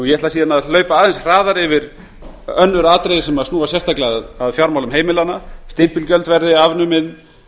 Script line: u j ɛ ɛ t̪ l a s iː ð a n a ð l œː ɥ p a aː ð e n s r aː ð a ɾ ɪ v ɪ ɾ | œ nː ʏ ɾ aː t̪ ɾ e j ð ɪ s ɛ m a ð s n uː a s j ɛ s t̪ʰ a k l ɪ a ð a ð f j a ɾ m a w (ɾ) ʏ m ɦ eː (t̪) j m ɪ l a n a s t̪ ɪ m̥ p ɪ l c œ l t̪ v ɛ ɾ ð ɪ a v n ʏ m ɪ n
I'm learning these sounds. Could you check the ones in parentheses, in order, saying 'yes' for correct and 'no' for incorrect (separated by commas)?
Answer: no, no